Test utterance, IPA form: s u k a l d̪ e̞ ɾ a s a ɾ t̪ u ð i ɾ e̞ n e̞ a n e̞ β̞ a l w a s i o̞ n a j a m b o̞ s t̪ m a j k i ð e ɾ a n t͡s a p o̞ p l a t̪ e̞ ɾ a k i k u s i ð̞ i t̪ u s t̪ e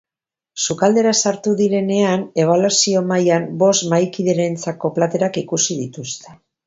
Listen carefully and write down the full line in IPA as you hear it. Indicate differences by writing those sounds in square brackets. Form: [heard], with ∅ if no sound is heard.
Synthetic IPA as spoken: s u k a l d̪ e̞ ɾ a s a ɾ t̪ u ð i ɾ e̞ n e̞ a n e̞ β̞ a l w a s i o̞ [m] a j a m b o̞ s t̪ m a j k i ð e ɾ [e] n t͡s a [k] o̞ p l a t̪ e̞ ɾ a k i k u s i ð̞ i t̪ u s t̪ e